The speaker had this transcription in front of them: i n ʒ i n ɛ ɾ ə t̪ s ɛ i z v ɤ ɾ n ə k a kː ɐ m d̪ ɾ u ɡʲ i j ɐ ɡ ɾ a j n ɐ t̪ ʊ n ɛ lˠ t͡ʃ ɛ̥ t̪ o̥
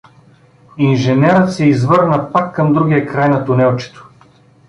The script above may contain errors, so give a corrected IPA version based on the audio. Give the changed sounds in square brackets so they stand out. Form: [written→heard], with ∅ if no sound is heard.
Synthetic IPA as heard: i n ʒ [i→ɛ] n ɛ ɾ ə t̪ s ɛ i z v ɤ ɾ n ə [k→p] a kː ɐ m d̪ ɾ u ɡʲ i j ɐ [ɡ→k] ɾ a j n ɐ t̪ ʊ n ɛ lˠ t͡ʃ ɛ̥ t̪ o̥